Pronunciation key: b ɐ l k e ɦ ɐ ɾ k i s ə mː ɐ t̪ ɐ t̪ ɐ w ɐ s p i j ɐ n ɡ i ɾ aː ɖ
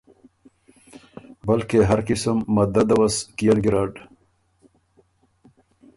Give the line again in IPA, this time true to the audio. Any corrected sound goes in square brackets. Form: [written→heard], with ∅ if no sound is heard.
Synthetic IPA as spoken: b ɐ l k e ɦ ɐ ɾ k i s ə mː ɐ [t̪→d̪] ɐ [t̪→d̪] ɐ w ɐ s [p→k] i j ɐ n ɡ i ɾ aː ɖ